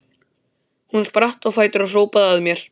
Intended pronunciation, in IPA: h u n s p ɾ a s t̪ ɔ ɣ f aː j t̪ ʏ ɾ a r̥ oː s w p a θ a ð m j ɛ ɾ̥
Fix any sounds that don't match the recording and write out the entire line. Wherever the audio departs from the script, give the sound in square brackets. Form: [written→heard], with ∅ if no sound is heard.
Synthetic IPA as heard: h u n s p ɾ a [s→h] t̪ ɔ ɣ f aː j t̪ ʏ ɾ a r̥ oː [s→∅] w p a [θ→ð] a ð m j ɛ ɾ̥